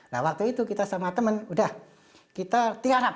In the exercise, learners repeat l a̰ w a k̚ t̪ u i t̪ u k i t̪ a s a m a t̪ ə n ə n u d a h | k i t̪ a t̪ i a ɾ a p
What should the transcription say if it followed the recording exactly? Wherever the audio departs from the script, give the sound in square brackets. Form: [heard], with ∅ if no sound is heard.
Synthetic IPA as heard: l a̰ w a k̚ t̪ u i t̪ u k i t̪ a s a m a t̪ ə [m] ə n u d a h | k i t̪ a t̪ i a ɾ a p